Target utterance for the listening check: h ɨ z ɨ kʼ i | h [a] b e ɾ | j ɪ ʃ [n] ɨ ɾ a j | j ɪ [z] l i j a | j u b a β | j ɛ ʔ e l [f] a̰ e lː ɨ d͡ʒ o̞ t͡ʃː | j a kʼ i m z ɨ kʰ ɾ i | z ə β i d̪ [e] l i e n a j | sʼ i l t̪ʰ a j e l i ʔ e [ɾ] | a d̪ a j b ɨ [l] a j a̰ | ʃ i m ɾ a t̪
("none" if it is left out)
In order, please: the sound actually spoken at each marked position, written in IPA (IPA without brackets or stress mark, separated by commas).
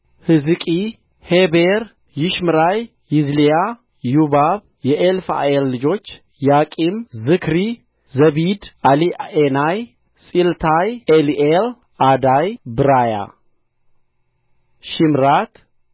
e, m, z, f, a, l, ɾ